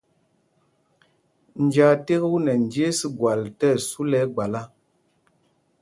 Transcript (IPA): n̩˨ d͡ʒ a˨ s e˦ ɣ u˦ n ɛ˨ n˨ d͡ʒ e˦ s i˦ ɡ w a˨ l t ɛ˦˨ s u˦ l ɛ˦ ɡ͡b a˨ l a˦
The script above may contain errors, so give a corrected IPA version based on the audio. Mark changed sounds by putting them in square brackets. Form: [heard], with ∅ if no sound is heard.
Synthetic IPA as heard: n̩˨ d͡ʒ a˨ [t] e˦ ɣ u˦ n ɛ˨ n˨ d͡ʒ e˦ s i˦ ɡ w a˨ l t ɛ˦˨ s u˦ l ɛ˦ ɡ͡b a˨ l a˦